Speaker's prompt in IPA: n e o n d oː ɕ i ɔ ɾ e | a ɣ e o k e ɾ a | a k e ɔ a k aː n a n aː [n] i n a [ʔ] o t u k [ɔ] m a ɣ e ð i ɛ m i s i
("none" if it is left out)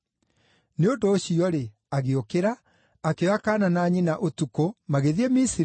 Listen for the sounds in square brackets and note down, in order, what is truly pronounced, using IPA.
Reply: ɲ, ʔ, o

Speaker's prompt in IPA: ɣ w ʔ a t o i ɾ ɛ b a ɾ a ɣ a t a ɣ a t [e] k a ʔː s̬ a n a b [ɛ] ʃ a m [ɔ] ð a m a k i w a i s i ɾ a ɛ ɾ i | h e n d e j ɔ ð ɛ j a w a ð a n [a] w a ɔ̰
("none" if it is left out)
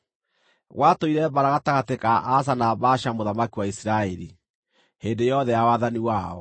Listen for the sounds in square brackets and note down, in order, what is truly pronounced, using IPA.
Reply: e, a, o, i

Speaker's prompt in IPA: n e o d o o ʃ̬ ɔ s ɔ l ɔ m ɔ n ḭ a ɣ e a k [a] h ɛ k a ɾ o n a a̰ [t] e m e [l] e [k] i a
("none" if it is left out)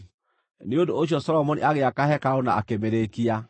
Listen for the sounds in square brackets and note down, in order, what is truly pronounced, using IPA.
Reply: a, k, ɾ, k

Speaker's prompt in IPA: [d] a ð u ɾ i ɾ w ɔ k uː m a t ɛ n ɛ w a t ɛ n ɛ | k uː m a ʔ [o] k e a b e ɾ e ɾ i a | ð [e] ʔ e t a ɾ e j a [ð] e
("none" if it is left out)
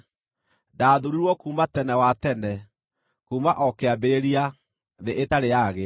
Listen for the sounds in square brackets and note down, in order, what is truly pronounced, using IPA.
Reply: d, ɔ, e, ɣ

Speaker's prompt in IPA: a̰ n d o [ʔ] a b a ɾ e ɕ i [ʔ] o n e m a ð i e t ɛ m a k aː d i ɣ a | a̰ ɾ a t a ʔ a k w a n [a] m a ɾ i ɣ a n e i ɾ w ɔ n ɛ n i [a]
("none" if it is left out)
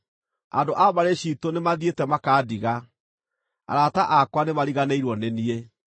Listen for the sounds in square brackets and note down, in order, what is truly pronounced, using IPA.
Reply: ʔ, t, e, e

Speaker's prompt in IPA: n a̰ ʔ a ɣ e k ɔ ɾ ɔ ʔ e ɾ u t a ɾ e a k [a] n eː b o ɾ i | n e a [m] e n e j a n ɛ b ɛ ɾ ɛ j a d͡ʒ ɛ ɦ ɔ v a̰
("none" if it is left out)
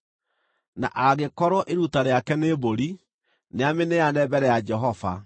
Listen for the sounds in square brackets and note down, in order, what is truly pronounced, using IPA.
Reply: ɛ, m

